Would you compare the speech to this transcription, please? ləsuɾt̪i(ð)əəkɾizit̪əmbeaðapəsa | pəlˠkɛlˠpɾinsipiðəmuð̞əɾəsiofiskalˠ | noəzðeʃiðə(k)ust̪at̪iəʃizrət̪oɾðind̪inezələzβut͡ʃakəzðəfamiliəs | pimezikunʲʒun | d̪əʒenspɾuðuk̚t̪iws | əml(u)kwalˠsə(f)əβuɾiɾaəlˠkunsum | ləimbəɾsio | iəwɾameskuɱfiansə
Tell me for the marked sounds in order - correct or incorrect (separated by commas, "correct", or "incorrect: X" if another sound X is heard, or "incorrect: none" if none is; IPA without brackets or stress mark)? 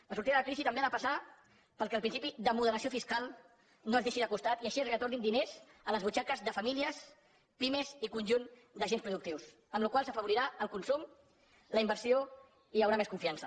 correct, correct, correct, correct